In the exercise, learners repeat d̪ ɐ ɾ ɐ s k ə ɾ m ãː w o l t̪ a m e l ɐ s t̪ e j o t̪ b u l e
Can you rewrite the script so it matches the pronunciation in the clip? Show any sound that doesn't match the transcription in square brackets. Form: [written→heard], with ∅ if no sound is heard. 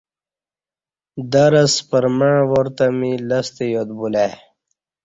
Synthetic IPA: d̪ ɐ ɾ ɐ s [k→p] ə ɾ m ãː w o [l→ɾ] t̪ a m [e→i] l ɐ s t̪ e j o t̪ b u l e